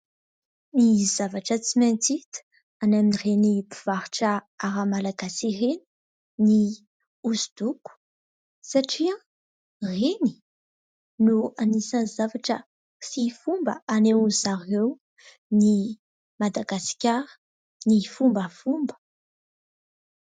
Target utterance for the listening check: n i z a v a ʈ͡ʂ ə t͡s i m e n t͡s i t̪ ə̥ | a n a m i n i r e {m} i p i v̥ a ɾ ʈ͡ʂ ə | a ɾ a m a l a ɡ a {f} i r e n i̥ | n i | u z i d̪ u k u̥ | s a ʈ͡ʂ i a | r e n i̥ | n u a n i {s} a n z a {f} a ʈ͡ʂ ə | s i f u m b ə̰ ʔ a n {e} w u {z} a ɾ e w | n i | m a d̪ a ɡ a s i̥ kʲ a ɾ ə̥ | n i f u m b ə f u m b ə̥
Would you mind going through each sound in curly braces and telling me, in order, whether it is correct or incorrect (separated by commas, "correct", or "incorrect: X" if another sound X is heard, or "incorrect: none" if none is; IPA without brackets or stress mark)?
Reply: incorrect: n, incorrect: s, correct, incorrect: v, correct, correct